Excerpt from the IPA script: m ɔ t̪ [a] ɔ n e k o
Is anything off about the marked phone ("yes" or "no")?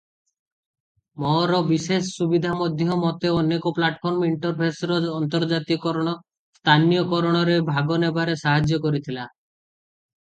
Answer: yes